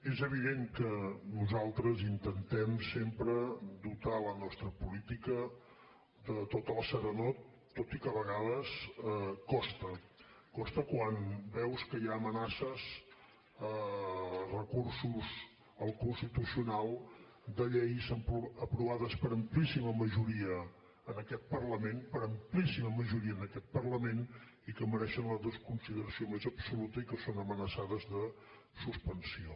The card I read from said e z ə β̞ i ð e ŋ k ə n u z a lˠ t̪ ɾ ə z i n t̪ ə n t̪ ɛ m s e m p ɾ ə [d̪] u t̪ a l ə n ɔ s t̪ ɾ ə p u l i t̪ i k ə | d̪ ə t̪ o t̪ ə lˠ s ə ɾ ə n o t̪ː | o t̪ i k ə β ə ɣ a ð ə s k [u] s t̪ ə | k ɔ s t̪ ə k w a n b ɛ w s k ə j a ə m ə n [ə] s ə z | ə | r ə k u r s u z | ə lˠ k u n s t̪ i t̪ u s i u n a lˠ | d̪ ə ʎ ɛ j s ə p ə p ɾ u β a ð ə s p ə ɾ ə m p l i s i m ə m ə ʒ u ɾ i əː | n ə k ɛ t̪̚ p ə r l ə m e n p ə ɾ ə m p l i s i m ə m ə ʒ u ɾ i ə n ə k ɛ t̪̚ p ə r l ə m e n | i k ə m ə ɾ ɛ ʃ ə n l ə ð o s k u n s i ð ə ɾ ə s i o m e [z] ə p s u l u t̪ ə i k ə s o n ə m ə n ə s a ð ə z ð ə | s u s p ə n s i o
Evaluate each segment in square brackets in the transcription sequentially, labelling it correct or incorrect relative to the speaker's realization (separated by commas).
correct, incorrect, incorrect, correct